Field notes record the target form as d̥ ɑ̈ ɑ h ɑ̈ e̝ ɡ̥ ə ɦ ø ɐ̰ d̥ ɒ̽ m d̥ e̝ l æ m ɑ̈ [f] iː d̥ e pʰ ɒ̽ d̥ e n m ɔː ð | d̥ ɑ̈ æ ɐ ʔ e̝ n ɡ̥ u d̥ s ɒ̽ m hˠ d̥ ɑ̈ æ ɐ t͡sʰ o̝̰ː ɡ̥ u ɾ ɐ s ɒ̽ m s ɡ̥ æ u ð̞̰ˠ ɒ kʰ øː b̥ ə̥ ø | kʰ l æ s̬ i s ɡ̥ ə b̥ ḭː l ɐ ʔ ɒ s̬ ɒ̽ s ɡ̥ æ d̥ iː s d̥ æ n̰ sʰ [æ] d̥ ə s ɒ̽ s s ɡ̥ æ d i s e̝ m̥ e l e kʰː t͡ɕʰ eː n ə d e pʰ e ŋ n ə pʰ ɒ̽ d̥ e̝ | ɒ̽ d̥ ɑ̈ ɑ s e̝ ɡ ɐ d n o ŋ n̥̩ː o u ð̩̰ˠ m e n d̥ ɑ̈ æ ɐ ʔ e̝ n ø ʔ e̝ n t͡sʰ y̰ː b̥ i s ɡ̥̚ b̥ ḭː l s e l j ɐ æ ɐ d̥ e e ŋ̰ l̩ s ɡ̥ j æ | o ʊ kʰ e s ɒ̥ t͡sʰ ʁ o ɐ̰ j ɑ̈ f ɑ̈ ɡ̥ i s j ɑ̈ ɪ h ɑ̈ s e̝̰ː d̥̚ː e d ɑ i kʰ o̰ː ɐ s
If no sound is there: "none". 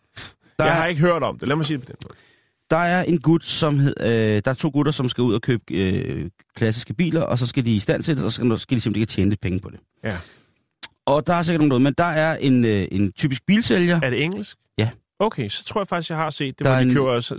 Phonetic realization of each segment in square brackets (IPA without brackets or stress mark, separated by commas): s, e